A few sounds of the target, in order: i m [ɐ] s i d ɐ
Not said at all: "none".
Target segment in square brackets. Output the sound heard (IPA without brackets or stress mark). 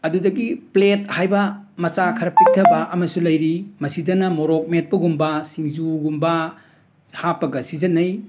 ɐ